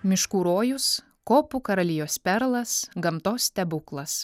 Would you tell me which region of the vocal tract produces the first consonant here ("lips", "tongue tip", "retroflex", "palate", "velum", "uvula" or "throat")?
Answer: lips